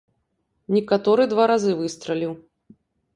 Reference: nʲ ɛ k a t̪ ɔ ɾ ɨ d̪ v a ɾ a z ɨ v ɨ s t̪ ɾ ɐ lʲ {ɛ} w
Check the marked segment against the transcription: incorrect: i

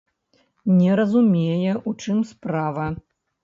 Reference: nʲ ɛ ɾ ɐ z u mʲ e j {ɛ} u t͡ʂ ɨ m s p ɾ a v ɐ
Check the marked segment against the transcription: correct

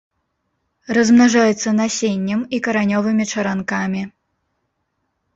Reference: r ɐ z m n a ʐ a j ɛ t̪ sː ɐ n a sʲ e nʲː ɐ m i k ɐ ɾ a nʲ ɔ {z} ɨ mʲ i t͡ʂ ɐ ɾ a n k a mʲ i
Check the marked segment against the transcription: incorrect: v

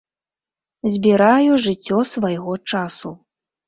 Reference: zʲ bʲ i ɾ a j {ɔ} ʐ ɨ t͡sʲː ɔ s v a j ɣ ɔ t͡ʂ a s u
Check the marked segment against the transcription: incorrect: u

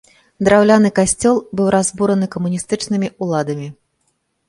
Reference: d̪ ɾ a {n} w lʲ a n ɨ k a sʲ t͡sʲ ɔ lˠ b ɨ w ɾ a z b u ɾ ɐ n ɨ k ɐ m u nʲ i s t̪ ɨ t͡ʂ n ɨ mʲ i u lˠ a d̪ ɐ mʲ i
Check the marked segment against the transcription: incorrect: none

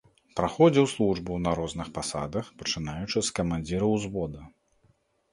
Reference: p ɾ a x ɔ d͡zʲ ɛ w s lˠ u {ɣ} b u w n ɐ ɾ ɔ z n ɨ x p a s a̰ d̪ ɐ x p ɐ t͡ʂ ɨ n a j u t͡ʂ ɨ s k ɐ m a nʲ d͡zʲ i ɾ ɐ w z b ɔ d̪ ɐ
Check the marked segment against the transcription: incorrect: ʐ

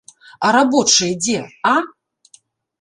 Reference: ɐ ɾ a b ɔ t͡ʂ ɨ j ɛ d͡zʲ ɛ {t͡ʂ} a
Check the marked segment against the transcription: incorrect: none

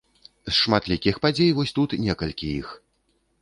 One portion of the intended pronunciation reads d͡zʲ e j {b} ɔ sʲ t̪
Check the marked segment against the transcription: incorrect: v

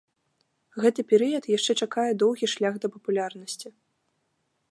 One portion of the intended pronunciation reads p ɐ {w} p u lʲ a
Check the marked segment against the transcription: incorrect: none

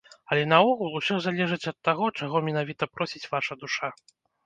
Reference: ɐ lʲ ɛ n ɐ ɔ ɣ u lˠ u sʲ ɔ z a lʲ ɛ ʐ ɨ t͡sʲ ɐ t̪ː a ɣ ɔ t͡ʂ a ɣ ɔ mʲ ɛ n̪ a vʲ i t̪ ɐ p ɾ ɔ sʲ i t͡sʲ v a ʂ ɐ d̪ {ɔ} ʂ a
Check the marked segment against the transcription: incorrect: u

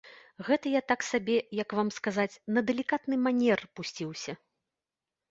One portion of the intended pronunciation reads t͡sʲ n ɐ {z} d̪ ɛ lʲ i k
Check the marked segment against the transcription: incorrect: none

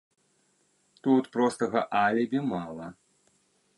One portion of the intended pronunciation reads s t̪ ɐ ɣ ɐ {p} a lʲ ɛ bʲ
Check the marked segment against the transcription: incorrect: ʔ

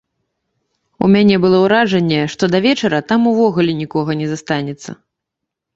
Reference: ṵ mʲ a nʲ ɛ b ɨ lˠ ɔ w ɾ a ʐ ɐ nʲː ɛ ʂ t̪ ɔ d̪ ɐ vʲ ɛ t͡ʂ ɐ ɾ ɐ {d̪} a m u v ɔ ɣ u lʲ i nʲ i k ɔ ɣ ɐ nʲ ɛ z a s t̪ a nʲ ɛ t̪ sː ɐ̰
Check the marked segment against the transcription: incorrect: t̪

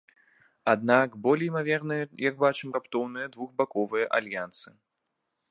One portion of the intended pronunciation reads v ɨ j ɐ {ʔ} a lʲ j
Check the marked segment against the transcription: correct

